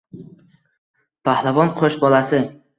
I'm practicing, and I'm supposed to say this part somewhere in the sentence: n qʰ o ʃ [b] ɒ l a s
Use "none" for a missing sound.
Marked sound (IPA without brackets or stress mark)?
b